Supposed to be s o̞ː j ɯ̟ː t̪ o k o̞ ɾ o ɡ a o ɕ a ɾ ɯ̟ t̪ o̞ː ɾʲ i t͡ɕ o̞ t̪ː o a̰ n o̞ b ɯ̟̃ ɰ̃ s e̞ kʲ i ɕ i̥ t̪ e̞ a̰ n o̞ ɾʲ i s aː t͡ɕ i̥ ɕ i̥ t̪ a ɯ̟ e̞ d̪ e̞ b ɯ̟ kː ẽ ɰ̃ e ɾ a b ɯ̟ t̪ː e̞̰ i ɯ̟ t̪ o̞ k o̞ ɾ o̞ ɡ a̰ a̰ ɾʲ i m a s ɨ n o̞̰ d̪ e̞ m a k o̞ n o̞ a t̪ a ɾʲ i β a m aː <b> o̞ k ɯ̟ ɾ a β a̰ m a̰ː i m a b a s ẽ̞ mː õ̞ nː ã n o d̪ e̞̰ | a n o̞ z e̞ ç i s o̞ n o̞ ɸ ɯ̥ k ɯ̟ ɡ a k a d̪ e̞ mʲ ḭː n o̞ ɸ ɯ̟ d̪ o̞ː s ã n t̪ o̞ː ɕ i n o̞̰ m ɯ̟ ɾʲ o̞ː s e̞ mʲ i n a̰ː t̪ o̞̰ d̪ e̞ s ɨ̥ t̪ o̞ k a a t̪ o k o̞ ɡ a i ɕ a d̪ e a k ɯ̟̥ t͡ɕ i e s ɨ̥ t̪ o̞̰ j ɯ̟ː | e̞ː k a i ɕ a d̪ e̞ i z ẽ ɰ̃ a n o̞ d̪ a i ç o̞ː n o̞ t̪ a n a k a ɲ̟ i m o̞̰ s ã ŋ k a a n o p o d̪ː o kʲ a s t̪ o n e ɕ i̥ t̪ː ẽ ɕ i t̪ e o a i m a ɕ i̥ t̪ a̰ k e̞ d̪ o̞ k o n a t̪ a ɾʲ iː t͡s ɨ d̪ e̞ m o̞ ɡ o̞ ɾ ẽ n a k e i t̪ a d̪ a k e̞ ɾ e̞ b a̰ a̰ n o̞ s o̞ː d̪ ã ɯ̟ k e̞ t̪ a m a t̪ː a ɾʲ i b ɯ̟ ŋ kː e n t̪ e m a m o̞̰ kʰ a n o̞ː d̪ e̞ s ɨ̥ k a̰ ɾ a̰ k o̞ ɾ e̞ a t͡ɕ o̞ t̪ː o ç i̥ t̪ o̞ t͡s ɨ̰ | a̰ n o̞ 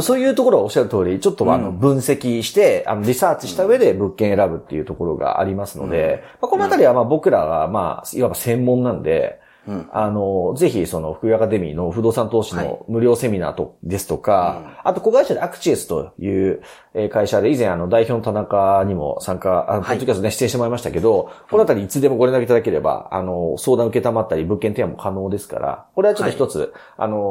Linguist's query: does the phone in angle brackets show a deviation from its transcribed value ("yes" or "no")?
no